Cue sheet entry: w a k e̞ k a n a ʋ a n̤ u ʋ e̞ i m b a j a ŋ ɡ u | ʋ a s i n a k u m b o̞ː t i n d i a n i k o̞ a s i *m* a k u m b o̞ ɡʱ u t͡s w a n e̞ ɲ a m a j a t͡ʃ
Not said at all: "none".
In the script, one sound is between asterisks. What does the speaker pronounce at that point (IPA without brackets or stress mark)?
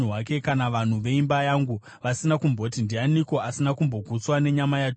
n